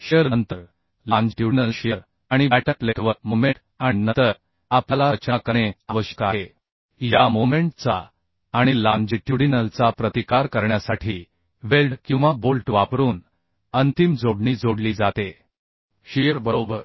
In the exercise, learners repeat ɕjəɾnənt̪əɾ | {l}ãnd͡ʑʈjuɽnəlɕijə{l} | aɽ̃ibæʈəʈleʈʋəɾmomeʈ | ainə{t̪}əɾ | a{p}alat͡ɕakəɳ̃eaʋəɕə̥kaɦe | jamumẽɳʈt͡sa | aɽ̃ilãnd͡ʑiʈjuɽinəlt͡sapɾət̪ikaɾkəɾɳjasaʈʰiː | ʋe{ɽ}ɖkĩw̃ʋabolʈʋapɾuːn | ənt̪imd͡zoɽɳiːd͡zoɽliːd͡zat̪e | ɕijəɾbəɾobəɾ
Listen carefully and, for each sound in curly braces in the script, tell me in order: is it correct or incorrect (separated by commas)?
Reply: correct, incorrect, correct, correct, incorrect